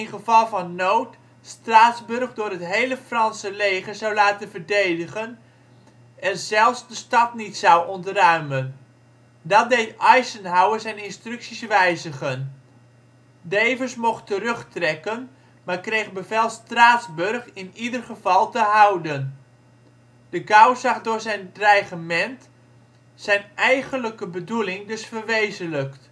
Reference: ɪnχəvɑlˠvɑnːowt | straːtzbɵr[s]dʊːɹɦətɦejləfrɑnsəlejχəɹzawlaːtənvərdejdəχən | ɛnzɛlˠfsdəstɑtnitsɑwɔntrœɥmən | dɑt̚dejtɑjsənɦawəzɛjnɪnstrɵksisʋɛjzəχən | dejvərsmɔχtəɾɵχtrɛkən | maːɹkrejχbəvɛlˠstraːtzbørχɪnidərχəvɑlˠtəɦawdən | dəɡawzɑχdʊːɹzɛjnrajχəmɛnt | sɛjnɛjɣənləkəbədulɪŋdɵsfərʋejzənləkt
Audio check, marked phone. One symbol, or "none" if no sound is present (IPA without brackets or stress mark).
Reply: χ